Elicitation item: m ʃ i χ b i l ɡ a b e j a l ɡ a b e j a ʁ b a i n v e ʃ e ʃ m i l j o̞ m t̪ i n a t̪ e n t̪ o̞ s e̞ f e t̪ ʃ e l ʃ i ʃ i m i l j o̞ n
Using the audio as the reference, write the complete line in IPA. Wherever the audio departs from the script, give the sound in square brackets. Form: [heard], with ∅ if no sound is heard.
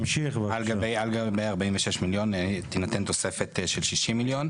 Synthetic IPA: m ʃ i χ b [a] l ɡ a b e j a l ɡ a b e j a ʁ b a i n v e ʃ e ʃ m i l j o̞ [n] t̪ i n a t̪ e n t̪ o̞ s e̞ f e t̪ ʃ e l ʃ i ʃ i m i l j o̞ n

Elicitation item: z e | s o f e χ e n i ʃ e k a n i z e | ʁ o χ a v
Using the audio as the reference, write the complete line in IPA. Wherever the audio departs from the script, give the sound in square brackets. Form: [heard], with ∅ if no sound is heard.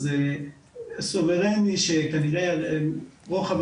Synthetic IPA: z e | s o [v] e [ʁ] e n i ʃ e k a n i [ʁ] e | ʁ o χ a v

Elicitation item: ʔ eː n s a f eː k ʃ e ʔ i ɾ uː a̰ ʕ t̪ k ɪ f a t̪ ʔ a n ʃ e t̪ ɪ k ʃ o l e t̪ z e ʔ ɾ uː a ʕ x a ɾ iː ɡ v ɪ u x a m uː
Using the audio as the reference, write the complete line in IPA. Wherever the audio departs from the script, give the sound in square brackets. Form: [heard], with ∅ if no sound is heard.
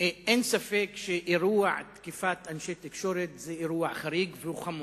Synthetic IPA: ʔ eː n s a f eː k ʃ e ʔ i ɾ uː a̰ ʕ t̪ k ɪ f a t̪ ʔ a n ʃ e t̪ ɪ k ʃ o [ɾ] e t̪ z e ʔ ɾ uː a ʕ x a ɾ iː ɡ v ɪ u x a m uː

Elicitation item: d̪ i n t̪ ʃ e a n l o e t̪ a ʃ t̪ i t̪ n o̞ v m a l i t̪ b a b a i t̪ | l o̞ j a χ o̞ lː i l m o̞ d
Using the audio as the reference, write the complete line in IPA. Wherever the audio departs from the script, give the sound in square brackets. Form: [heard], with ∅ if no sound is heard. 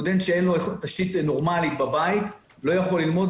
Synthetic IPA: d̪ [e] n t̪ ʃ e [e] n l o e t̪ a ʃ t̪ i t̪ n o̞ [ʁ] m a l i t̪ b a b a i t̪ | l o̞ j a χ o̞ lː i l m o̞ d

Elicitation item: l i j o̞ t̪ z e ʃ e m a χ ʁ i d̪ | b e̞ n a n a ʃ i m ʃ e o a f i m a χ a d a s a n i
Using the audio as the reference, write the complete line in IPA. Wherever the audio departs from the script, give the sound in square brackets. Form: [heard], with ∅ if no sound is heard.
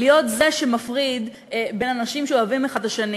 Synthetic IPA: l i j o̞ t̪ z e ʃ e m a [f] ʁ i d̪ | b e̞ n a n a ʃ i m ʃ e o a [v] i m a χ a d a [ʃ] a n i

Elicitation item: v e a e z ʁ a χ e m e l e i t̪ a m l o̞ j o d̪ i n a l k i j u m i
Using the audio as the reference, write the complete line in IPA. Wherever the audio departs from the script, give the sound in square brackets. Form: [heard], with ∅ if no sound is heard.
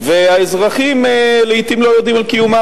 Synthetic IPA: v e a e z ʁ a χ [i] m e l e i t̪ [i] m l o̞ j o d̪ i [m] a l k i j u m [a]

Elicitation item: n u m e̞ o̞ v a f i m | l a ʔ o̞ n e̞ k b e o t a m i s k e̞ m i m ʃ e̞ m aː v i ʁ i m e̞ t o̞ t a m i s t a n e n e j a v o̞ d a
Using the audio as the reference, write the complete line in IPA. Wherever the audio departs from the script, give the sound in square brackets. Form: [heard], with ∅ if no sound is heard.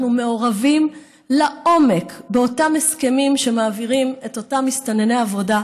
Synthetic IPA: n u m e̞ o̞ [ʁ] a [v] i m | l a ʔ o̞ [m] e̞ k b e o t a m [e] s k e̞ m i m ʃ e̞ m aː v i ʁ i m e̞ t o̞ t a m i s t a n e n e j a v o̞ d a

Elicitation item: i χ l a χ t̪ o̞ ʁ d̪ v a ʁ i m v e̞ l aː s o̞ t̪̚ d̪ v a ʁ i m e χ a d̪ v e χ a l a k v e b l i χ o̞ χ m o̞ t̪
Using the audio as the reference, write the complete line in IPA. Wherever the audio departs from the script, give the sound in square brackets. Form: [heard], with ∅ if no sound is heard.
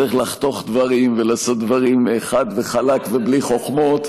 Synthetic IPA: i χ l a χ t̪ o̞ [χ] d̪ v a ʁ i m v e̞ l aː s o̞ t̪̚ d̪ v a ʁ i m e χ a d̪ v e χ a l a k v e b l i χ o̞ χ m o̞ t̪

